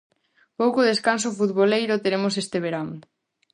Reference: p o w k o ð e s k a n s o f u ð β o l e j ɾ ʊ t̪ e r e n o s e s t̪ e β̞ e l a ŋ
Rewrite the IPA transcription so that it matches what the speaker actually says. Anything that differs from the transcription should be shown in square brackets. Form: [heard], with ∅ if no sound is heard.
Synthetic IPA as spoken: p o w k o ð e s k a n s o f u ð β o l e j ɾ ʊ t̪ e [ɾ] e [m] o s e s t̪ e β̞ e [ɾ] a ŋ